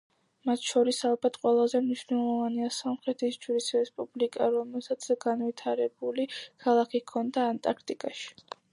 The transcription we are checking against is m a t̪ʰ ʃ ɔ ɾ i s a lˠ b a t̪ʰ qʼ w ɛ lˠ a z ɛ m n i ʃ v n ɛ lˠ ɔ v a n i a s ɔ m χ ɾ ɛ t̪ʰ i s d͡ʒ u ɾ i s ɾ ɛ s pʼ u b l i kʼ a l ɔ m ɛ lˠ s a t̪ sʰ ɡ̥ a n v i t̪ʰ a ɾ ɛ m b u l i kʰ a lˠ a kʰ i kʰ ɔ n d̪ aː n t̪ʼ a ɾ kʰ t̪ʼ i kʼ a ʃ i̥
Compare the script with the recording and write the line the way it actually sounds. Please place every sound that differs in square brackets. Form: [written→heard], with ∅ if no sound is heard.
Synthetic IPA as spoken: m a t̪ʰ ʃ ɔ ɾ i s a lˠ b a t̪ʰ qʼ w ɛ lˠ a z ɛ m n i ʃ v n ɛ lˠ ɔ v a n i a s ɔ m χ ɾ ɛ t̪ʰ i s d͡ʒ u ɾ i s ɾ ɛ s pʼ u b l i kʼ a [l→ɾ] ɔ m ɛ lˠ s a t̪ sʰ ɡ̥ a n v i t̪ʰ a ɾ ɛ [m→∅] b u l i kʰ a lˠ a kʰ i kʰ ɔ n d̪ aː n t̪ʼ a ɾ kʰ t̪ʼ i kʼ a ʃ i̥